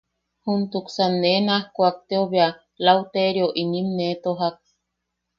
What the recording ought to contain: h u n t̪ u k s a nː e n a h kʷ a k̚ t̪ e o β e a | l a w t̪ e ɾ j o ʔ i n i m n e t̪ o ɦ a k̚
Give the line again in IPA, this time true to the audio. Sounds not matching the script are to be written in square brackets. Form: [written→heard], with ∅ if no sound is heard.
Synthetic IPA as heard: h u n t̪ u k s a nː e n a h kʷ a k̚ t̪ e o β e a | l a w t̪ e ɾ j o ʔ i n i m n e t̪ o ɦ a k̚